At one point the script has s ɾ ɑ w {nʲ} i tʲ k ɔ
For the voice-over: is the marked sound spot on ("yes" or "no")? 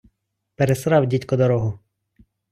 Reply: no